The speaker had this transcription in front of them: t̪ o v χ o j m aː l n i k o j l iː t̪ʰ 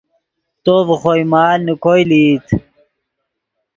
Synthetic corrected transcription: t̪ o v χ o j m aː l n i k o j l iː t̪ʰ